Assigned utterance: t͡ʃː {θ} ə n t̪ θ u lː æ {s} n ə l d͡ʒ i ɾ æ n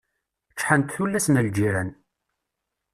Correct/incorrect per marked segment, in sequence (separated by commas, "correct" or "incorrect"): incorrect, correct